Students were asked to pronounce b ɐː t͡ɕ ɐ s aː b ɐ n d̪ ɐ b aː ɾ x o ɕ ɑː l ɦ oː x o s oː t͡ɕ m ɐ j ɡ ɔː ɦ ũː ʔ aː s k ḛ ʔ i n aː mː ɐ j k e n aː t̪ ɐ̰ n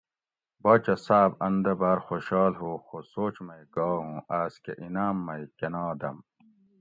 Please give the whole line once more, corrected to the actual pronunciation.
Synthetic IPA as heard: b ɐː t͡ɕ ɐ s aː b ɐ n d̪ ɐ b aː ɾ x o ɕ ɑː l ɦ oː x o s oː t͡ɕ m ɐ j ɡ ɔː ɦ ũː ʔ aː s k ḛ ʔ i n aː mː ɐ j k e n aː d̪ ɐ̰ m